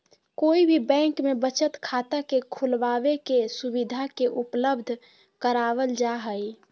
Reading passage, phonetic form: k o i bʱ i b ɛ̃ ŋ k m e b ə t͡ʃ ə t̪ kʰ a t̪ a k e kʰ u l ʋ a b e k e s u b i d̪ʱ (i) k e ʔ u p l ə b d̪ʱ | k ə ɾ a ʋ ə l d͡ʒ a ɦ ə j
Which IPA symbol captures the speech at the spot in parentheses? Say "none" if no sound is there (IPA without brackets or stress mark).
a